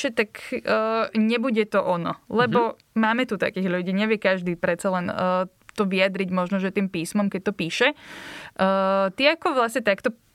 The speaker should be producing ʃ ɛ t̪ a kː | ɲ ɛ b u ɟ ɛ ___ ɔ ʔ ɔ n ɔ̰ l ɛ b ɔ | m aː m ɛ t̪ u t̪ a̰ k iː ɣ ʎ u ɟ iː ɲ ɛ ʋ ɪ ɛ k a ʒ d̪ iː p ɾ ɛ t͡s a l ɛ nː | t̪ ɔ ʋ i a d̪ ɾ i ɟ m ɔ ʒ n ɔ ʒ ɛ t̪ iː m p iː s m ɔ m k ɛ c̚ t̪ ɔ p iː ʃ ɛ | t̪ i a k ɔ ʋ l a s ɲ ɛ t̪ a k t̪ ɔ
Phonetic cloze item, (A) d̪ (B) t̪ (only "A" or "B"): B